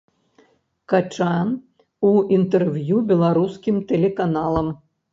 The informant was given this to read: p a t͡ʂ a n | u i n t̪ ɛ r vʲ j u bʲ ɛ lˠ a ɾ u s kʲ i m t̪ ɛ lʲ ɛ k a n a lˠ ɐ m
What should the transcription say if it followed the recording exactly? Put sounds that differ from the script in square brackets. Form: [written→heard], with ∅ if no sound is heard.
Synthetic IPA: [p→k] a t͡ʂ a n | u i n t̪ ɛ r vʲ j u bʲ ɛ lˠ a ɾ u s kʲ i m t̪ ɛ lʲ ɛ k a n a lˠ ɐ m